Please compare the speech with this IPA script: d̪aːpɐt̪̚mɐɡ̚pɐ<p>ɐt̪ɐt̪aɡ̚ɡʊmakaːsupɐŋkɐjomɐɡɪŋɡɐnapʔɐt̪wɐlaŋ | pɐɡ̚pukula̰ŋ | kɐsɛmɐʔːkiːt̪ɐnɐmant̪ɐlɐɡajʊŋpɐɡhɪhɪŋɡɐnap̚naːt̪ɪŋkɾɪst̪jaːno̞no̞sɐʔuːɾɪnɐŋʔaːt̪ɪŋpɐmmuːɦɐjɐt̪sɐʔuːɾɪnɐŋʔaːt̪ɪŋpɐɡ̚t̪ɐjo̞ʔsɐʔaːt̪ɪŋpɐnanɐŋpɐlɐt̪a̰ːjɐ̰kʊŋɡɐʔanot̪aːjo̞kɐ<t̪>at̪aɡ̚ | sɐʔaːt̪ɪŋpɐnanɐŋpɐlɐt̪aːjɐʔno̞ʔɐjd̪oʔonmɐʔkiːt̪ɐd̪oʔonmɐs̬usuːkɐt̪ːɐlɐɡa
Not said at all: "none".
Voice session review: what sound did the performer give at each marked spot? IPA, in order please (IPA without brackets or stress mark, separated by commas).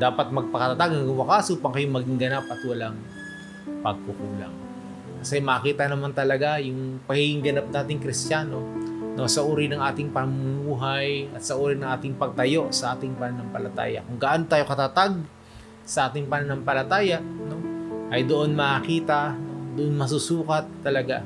k, t̪